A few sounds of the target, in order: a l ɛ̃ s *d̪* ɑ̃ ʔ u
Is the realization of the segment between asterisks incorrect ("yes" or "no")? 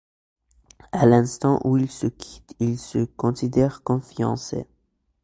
yes